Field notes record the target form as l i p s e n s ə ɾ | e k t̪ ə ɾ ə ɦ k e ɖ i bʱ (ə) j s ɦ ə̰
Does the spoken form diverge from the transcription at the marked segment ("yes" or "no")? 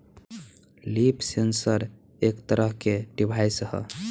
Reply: yes